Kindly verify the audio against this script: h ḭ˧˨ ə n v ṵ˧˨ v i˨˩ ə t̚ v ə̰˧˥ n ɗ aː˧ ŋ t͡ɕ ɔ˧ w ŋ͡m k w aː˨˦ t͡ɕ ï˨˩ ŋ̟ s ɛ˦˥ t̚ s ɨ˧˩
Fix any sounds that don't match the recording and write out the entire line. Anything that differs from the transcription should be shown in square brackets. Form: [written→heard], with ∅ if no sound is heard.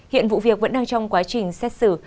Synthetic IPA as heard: h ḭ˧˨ ə n v ṵ˧˨ v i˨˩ ə [t̚→k̚] v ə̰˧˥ n ɗ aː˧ ŋ t͡ɕ ɔ˧ w ŋ͡m k w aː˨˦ t͡ɕ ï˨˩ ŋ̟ s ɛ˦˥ t̚ s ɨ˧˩